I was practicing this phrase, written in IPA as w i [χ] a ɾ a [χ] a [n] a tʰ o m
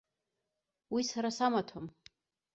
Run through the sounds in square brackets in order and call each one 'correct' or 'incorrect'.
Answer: incorrect, incorrect, incorrect

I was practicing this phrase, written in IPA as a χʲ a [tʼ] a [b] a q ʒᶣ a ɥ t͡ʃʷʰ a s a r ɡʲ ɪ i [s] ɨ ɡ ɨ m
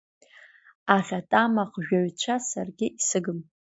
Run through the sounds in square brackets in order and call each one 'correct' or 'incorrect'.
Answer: correct, incorrect, correct

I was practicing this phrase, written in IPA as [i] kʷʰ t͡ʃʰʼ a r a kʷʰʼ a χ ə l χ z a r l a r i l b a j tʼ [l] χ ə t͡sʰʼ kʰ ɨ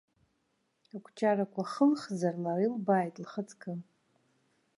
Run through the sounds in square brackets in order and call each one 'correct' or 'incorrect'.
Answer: incorrect, correct

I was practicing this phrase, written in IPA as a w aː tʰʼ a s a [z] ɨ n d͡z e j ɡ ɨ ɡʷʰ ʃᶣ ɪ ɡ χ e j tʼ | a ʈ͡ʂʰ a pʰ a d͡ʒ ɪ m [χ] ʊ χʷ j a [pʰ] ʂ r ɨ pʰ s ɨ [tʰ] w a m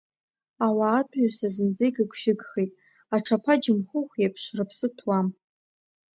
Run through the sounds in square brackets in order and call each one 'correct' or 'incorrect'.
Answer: correct, correct, correct, correct

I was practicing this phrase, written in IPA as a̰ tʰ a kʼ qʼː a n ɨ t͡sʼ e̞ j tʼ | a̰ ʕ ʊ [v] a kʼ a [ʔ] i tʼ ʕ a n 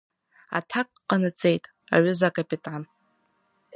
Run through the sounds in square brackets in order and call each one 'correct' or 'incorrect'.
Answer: incorrect, incorrect

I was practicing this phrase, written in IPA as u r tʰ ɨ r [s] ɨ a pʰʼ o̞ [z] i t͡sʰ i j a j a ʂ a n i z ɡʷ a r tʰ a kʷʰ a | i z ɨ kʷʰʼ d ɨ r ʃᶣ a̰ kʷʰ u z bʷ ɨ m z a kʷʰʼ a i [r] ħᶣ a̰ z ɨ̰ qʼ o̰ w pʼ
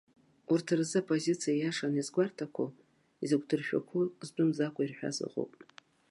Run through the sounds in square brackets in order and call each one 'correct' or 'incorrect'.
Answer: incorrect, correct, correct

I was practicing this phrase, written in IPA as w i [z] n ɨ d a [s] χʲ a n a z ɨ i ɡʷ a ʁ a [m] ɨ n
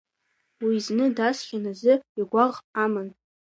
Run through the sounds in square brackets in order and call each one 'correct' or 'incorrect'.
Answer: correct, correct, correct

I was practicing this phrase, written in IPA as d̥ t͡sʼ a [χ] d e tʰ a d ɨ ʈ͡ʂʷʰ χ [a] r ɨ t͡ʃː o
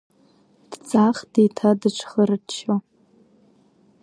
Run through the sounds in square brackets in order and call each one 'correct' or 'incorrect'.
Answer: correct, incorrect

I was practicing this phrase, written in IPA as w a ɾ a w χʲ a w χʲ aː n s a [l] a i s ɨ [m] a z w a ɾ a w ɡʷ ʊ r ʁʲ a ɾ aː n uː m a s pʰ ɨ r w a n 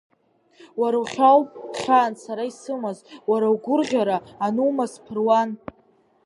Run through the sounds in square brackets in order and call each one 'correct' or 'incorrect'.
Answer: incorrect, correct

